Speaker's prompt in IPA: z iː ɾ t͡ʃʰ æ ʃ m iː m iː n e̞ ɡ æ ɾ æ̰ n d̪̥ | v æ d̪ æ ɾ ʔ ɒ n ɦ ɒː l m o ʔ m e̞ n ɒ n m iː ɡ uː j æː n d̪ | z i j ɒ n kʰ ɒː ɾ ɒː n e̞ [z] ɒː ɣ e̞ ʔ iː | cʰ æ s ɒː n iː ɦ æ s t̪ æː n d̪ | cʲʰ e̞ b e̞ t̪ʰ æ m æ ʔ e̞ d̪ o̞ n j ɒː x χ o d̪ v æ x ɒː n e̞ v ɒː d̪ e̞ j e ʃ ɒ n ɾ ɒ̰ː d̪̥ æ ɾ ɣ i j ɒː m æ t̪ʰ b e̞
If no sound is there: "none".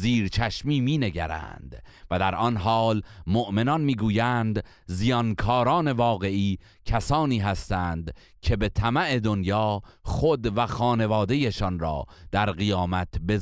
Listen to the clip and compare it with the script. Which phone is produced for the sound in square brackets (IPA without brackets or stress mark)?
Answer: v